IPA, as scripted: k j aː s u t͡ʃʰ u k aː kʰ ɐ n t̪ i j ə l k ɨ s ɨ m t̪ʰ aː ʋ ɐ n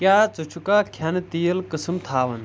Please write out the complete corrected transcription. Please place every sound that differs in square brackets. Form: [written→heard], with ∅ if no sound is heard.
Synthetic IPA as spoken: k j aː [s→t͡s] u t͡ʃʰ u k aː kʰ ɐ n t̪ i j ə l k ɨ s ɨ m t̪ʰ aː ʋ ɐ n